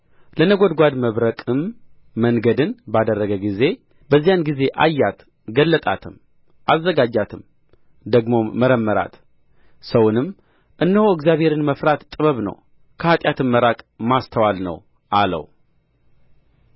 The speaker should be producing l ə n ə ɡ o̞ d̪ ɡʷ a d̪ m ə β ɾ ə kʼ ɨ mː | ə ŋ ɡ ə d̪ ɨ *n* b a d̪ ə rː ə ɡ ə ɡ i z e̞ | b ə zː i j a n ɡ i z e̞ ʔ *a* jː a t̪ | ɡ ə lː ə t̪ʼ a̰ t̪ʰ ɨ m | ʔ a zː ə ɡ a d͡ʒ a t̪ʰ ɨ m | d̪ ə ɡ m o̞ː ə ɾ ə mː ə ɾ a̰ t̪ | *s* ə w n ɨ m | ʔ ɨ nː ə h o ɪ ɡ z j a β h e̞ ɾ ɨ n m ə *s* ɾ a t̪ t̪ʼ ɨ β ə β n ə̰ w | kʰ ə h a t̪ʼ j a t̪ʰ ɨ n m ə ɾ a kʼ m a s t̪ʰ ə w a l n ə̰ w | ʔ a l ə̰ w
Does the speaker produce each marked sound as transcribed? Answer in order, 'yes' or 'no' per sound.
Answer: yes, yes, yes, no

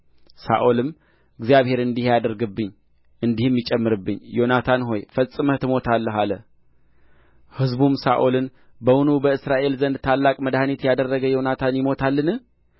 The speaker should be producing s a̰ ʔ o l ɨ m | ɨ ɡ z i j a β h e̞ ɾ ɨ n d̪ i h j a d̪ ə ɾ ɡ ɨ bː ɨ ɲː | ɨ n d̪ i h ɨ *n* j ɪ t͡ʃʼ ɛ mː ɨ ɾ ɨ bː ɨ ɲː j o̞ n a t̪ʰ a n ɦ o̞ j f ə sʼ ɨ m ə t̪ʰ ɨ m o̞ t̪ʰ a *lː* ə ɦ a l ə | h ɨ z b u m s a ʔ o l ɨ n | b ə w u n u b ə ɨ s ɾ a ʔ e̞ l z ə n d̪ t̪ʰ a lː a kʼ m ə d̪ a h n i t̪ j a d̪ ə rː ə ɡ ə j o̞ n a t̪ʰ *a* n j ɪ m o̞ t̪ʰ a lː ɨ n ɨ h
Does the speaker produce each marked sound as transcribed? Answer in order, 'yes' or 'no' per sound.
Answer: no, yes, yes

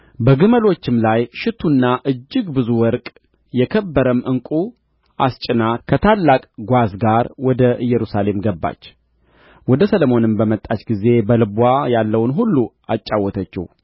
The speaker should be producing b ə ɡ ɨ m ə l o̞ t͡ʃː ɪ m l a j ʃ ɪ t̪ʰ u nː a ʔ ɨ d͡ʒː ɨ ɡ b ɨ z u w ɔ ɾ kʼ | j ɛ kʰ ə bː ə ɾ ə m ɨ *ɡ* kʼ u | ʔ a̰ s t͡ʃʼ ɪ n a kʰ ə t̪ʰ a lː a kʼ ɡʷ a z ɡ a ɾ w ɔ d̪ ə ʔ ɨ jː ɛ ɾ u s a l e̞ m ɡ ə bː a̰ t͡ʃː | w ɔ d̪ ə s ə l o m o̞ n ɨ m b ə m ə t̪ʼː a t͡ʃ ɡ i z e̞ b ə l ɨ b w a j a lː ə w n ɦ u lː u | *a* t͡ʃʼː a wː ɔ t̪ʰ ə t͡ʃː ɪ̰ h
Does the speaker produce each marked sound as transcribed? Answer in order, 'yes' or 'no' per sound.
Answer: no, yes

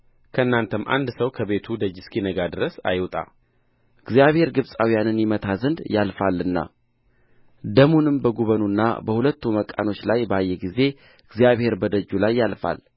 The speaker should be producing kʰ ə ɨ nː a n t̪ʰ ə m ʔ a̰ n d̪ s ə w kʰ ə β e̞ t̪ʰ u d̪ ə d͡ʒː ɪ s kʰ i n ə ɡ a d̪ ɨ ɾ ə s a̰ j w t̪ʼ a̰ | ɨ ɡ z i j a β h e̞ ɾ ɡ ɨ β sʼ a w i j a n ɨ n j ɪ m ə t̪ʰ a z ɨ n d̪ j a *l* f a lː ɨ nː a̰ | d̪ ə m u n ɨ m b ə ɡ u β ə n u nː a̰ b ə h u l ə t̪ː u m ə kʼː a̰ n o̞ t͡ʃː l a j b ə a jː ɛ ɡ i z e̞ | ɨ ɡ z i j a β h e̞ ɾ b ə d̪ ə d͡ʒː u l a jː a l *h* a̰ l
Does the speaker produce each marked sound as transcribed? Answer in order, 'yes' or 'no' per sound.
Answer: yes, no

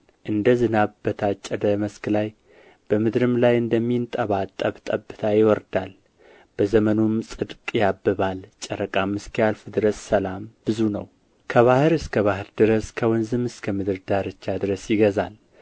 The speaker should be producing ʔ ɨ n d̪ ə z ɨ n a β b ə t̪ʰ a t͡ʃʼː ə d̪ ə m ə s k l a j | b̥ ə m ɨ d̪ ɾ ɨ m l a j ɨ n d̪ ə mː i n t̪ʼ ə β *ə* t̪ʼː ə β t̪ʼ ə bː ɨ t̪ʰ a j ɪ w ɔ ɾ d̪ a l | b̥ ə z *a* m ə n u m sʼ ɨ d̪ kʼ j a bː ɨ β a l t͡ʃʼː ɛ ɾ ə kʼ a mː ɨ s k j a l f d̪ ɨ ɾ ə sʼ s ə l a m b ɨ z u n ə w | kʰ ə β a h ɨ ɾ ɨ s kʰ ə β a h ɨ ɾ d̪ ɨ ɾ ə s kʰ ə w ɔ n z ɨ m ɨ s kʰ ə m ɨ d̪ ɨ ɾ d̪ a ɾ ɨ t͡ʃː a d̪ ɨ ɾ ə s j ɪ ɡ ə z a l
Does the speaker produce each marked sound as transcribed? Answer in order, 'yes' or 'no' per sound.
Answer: no, no

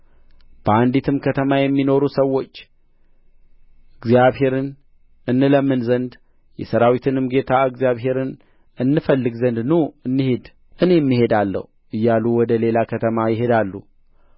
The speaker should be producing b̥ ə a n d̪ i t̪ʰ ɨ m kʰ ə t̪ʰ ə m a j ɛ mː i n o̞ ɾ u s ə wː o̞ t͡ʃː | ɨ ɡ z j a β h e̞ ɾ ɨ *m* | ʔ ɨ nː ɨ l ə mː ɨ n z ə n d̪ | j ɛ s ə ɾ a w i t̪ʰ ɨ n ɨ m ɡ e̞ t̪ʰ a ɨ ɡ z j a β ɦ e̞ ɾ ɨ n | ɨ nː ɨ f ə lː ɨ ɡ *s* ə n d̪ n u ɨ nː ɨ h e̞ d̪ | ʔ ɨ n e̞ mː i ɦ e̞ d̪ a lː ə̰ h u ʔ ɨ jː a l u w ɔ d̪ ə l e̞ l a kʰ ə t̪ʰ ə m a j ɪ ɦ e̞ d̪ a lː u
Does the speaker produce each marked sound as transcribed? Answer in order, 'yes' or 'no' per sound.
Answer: no, no

